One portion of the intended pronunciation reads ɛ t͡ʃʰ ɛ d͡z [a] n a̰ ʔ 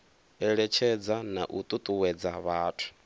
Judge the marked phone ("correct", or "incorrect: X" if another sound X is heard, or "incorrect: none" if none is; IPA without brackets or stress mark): correct